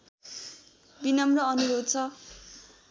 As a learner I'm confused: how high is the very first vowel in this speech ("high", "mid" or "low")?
high